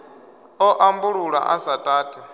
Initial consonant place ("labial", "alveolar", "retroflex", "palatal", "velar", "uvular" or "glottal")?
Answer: glottal